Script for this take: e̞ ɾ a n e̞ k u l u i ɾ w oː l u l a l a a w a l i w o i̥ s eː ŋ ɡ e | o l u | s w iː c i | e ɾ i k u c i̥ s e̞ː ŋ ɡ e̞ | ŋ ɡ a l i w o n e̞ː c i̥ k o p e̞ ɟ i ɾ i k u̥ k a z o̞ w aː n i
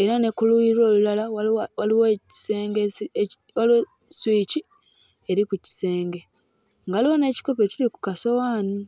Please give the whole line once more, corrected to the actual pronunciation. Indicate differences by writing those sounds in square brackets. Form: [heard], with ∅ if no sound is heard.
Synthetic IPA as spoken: e̞ ɾ a n e̞ k u l u i ɾ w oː l u l a l a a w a l i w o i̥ s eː ŋ ɡ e | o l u | s w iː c i | e ɾ i k u c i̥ s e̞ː ŋ ɡ e̞ | ŋ ɡ a l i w o n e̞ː c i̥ k o p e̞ [c] i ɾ i k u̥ k a [s] o̞ w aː n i